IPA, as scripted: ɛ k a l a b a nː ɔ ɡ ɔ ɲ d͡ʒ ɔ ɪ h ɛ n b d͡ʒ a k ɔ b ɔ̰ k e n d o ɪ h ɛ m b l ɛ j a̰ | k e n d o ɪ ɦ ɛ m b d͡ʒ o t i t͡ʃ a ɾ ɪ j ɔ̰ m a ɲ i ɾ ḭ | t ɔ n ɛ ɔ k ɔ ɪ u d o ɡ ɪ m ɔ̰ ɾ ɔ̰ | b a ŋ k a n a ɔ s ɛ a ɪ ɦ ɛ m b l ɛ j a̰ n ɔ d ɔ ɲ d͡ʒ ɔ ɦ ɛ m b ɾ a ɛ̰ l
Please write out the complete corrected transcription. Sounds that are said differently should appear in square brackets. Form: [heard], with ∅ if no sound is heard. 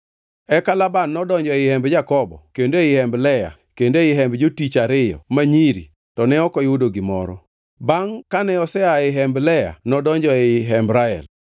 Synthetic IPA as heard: ɛ k a l a b a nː ɔ [d] ɔ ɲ d͡ʒ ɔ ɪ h ɛ [m] b d͡ʒ a k ɔ b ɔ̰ k e n d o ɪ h ɛ m b l ɛ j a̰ | k e n d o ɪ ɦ ɛ m b d͡ʒ o t i t͡ʃ a ɾ ɪ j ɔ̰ m a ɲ i ɾ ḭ | t ɔ n ɛ ɔ k ɔ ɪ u d o ɡ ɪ m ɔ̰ ɾ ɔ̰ | b a ŋ k a n [ɛ] ɔ s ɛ a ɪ ɦ ɛ m b l ɛ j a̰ n ɔ d ɔ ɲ d͡ʒ ɔ ɦ ɛ m b ɾ a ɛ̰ l